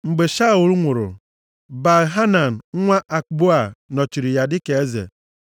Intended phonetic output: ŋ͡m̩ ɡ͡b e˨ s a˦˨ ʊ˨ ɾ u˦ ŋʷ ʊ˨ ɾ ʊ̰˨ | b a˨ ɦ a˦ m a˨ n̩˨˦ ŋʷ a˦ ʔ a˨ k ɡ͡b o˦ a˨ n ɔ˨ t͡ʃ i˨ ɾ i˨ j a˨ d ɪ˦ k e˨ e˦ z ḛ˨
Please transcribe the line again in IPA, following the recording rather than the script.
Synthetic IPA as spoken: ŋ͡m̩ ɡ͡b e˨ ʃ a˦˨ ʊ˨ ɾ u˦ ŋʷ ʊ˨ ɾ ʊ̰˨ | b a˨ ɦ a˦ n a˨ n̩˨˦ ŋʷ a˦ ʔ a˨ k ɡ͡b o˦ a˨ n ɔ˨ t͡ʃ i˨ ɾ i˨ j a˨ d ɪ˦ k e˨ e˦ z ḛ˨